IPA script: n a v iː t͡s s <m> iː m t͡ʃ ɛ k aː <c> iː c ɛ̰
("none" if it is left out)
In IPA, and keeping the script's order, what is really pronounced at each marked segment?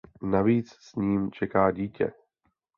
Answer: ɲ, ɟ

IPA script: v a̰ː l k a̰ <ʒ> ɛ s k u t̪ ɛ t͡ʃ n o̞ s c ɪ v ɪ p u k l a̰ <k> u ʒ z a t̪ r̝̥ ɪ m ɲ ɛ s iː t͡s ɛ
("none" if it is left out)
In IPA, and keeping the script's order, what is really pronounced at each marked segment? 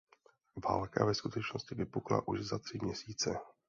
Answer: v, ʔ

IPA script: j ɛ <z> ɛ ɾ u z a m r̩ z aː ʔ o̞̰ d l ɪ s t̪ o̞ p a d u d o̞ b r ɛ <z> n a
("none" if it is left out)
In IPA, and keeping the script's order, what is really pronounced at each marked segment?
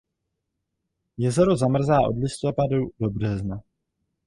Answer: z, z

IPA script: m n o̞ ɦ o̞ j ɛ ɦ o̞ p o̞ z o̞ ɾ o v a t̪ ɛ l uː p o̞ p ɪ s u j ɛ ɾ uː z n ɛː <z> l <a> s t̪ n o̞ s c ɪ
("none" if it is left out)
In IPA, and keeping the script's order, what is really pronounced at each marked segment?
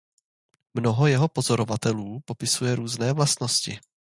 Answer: v, a

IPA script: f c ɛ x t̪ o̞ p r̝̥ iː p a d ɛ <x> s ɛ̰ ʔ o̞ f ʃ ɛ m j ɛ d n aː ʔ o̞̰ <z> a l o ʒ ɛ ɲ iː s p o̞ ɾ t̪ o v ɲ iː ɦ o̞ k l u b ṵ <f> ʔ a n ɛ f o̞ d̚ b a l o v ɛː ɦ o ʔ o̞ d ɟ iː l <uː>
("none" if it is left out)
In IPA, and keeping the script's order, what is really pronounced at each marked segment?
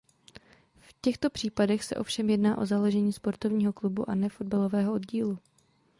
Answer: x, z, none, u

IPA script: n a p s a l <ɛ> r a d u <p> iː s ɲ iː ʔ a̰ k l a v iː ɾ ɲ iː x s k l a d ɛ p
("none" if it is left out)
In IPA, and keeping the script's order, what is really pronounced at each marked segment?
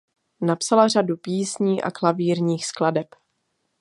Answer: a, p

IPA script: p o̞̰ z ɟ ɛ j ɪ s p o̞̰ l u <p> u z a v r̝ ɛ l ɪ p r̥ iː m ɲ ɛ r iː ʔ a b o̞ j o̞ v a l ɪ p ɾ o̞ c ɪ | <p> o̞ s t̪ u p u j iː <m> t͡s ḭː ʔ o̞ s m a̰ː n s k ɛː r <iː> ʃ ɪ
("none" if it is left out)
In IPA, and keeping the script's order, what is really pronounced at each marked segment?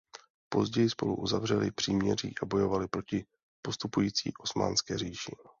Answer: ʔ, p, none, iː

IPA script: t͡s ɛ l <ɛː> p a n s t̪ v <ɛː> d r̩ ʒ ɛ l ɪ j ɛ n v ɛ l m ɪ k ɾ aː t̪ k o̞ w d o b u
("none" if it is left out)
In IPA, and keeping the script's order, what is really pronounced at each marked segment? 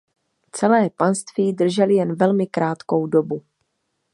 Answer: ɛː, iː

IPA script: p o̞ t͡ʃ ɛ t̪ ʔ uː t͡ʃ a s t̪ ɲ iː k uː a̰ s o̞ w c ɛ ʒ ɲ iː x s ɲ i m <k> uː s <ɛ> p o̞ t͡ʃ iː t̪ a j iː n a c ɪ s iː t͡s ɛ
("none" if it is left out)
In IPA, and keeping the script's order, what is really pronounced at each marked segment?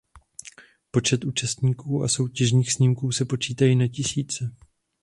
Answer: k, ɛ

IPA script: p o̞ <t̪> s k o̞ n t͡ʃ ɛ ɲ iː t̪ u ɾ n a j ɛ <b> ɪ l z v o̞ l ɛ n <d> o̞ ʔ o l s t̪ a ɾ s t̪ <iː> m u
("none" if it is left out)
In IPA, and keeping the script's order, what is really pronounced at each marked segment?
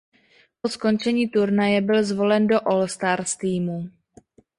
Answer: none, b, d, iː

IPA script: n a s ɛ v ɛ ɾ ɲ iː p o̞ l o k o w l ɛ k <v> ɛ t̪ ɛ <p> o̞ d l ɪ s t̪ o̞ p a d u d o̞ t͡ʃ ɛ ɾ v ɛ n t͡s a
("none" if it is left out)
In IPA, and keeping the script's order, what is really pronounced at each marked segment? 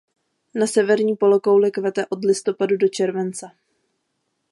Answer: v, ʔ

